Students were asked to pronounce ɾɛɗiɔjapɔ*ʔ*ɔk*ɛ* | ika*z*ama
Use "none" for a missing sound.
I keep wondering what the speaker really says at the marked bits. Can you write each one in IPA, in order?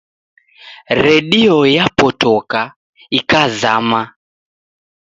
t, a, z

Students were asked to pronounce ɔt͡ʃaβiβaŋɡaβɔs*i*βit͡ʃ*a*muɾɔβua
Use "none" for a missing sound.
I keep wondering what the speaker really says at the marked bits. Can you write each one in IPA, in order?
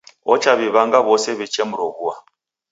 ɛ, ɛ

